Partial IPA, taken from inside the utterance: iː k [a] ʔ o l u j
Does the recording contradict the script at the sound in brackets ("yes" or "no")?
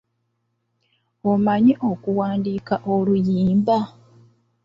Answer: no